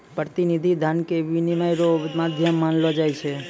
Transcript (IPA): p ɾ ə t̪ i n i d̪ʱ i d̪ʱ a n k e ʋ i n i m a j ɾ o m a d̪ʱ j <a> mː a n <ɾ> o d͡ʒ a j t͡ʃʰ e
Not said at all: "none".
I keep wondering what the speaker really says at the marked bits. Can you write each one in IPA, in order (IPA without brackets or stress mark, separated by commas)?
ə, l